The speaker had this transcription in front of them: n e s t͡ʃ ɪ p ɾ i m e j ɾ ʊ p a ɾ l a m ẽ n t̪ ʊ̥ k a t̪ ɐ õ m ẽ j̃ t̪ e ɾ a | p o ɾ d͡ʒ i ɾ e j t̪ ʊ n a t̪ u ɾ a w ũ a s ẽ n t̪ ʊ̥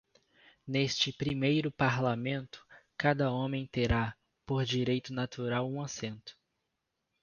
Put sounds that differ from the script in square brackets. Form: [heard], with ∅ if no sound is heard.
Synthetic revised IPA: n e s t͡ʃ ɪ p ɾ i m e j ɾ ʊ p a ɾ l a m ẽ n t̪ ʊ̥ k a [d̪] ɐ õ m ẽ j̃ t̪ e ɾ a | p o ɾ d͡ʒ i ɾ e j t̪ ʊ n a t̪ u ɾ a w ũ a s ẽ n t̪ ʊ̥